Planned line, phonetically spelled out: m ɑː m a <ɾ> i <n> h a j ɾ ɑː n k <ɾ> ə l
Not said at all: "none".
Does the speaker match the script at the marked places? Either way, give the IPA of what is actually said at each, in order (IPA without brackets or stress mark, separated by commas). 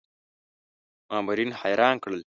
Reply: ɾ, n, ɽ